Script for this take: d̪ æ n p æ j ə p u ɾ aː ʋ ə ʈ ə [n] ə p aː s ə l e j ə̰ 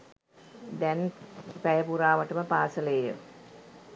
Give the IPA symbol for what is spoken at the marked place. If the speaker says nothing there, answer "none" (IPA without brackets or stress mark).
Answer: m